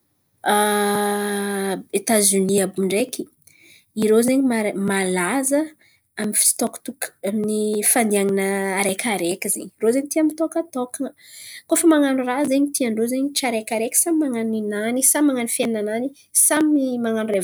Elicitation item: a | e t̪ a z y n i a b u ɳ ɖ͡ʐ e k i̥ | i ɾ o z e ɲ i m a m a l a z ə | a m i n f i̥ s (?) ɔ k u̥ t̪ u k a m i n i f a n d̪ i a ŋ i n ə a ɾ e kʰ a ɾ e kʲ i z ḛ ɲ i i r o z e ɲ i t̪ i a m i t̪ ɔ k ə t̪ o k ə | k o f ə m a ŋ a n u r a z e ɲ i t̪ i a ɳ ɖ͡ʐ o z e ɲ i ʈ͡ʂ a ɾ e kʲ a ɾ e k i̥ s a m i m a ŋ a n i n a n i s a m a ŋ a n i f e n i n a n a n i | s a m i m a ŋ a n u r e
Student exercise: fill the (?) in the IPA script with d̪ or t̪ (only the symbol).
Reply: t̪